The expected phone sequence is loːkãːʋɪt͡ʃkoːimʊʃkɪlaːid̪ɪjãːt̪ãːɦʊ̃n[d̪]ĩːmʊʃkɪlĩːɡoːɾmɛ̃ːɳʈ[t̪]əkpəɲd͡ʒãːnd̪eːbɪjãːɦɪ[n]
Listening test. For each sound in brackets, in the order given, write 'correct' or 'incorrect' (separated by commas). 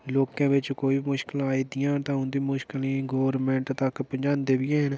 correct, correct, correct